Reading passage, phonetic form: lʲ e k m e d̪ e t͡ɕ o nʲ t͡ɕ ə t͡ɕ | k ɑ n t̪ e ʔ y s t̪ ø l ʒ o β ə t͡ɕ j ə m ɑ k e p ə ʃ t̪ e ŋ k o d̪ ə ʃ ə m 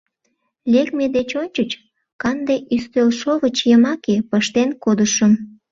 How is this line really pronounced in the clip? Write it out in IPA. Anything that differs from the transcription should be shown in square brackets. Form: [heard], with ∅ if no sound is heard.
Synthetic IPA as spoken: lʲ e k m e d̪ e t͡ɕ o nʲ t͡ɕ ə t͡ɕ | k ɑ n [d̪] e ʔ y s t̪ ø l [ʃ] o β ə t͡ɕ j ə m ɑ k e p ə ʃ t̪ e [n] k o d̪ ə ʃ ə m